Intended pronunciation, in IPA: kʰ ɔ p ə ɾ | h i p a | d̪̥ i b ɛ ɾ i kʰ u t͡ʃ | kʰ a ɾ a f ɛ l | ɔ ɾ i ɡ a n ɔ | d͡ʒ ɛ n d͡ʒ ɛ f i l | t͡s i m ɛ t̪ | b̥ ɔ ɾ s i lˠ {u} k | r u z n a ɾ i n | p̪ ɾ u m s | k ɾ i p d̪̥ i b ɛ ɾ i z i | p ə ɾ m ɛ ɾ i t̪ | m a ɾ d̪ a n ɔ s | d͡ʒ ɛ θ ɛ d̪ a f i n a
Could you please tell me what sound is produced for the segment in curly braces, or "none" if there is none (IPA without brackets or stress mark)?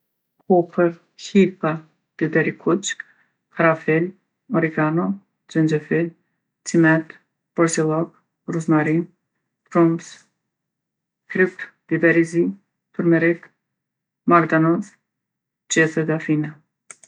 ɔ